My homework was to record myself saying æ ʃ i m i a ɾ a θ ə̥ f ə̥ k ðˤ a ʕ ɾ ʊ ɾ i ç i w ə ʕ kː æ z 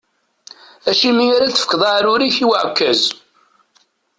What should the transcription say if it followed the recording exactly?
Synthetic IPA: æ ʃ i m i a ɾ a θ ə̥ f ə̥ k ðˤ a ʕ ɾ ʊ ɾ i ç i w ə ʕ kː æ z